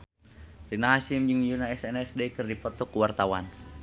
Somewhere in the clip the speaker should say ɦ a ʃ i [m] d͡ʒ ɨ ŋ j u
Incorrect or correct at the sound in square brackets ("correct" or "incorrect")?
correct